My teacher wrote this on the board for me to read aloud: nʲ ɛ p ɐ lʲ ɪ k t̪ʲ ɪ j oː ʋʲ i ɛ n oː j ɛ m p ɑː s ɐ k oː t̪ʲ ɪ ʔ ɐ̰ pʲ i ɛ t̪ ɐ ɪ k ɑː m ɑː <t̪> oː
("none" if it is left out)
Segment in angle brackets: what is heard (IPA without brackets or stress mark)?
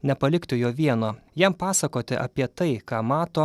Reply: t̪